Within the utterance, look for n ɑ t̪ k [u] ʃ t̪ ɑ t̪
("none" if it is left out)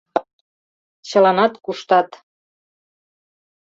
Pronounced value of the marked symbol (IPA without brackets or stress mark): u